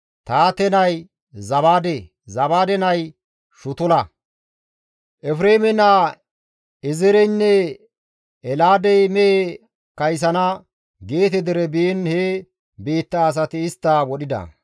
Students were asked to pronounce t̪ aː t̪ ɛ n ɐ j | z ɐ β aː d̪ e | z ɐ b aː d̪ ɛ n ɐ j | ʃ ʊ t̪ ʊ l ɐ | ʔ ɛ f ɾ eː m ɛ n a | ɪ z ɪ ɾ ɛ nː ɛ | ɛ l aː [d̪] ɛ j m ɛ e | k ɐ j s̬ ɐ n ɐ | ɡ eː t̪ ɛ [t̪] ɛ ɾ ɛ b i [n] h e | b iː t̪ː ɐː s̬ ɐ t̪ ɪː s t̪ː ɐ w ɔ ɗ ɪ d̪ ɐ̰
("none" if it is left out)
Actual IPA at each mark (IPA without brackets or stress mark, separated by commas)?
d̪, d̪, n